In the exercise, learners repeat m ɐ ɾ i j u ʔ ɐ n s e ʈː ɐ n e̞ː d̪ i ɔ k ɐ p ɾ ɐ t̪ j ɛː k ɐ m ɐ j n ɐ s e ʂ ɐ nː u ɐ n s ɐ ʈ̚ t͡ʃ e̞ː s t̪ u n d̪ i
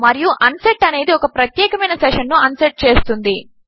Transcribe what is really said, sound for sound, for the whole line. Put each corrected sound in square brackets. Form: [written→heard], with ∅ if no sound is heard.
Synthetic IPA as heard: m ɐ ɾ i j u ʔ ɐ n s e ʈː ɐ n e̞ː d̪ i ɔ k ɐ p ɾ ɐ t̪ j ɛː k ɐ m ɐ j n ɐ s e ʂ ɐ nː u ɐ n s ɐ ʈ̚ t͡ʃ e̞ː s t̪ u n d̪ i

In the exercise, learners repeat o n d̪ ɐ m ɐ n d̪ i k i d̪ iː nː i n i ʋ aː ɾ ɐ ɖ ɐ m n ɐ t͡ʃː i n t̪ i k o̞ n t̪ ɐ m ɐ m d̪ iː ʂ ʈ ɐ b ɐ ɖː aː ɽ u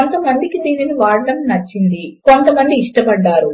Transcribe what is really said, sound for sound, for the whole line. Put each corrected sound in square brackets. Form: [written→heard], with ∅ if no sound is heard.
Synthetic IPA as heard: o n [d̪→t̪] ɐ m ɐ n d̪ i k i d̪ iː [nː→n] i n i ʋ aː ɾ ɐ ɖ ɐ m n ɐ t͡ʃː i n [t̪→d̪] i k o̞ n t̪ ɐ m ɐ [m→n] d̪ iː ʂ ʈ ɐ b ɐ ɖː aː [ɽ→ɾ] u

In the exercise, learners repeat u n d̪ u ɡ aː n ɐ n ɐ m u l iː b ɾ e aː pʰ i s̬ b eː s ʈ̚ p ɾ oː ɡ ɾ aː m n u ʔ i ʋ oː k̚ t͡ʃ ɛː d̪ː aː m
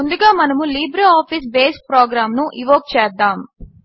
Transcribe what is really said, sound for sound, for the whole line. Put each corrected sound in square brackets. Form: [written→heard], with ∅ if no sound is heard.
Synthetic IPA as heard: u n d̪ u ɡ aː [n→m] ɐ n ɐ m u l iː b ɾ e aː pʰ i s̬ b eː s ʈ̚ p ɾ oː ɡ ɾ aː m n u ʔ i ʋ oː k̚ t͡ʃ ɛː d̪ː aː m

